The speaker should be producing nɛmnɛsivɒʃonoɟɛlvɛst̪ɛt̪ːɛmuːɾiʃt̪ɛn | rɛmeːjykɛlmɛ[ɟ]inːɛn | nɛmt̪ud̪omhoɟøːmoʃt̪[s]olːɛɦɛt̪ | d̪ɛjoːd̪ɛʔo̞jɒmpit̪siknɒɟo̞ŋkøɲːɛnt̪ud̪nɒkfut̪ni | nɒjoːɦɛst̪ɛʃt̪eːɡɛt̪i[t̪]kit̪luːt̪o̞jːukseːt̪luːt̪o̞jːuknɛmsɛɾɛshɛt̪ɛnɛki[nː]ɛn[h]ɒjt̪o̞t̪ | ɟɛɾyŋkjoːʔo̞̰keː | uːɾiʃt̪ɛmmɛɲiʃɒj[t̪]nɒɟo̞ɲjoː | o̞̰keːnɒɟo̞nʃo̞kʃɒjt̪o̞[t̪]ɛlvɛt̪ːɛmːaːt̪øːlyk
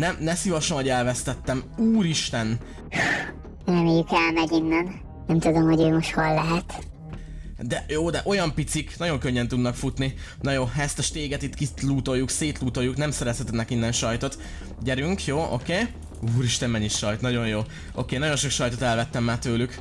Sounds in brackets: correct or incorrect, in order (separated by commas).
correct, incorrect, correct, correct, incorrect, correct, correct